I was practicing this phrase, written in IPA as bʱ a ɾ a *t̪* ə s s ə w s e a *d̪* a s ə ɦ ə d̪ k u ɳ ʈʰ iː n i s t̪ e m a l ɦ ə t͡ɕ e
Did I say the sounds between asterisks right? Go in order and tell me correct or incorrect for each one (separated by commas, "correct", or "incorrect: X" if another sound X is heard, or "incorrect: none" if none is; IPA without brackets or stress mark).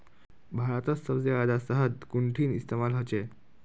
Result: correct, correct